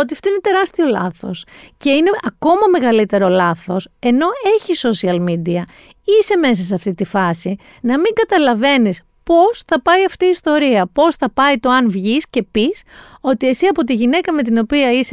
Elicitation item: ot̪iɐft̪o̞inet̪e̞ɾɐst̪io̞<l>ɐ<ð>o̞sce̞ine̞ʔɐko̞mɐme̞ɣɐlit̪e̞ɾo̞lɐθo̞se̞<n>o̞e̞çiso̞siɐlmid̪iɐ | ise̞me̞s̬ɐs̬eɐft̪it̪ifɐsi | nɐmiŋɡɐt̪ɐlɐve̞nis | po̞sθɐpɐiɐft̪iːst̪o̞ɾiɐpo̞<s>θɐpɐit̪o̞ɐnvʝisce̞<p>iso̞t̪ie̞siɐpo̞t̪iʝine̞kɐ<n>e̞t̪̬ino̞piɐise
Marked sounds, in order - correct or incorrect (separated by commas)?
correct, incorrect, correct, correct, correct, incorrect